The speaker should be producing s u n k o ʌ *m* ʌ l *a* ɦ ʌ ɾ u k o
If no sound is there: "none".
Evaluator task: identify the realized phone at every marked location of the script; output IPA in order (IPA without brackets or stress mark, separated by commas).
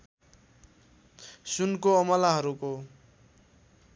m, a